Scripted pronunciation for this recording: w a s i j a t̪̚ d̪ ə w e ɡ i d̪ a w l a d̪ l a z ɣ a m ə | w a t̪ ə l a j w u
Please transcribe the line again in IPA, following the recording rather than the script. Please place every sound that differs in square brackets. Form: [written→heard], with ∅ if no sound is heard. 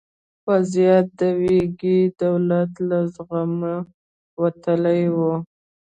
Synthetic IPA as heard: w a [s→z] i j a t̪̚ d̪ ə w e ɡ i d̪ a w l a [d̪→t̪] l a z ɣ a m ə | w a t̪ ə l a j w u